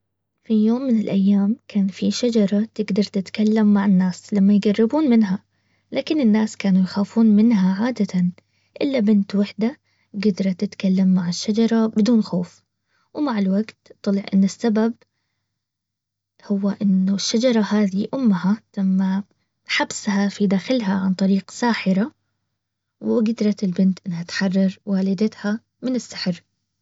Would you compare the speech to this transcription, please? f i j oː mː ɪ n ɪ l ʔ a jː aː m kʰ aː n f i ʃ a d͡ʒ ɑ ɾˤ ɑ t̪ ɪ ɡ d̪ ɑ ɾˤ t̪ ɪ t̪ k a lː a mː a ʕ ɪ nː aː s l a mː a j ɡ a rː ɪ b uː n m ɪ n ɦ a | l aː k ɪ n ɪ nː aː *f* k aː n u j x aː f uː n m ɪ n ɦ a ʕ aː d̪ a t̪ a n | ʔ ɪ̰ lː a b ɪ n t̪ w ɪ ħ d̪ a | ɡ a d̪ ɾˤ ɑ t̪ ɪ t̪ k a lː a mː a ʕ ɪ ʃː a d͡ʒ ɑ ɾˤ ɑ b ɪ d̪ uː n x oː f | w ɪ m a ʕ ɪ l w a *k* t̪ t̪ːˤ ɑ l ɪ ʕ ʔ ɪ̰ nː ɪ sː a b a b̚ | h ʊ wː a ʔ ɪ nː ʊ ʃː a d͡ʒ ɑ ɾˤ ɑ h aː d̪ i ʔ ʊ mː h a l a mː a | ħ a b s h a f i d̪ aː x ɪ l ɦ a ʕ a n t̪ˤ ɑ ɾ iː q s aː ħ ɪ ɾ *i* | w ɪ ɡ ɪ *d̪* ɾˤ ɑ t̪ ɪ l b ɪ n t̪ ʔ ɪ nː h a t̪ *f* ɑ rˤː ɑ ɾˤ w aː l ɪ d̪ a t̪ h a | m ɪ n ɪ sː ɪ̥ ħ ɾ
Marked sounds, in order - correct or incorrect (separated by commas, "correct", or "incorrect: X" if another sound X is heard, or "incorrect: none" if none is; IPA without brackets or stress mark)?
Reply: incorrect: s, incorrect: ɡ, incorrect: a, correct, incorrect: ħ